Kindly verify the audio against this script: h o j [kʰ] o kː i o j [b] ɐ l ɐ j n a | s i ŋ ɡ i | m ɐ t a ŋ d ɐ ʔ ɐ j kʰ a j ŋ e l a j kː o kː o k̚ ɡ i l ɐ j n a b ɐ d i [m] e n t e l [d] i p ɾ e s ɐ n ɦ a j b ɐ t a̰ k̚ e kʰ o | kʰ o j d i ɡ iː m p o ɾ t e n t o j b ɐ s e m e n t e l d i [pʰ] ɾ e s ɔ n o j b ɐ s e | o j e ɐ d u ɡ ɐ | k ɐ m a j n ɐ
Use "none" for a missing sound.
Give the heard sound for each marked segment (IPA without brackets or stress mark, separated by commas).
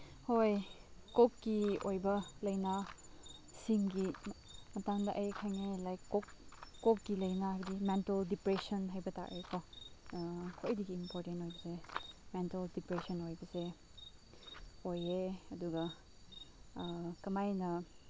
k, b, m, d, p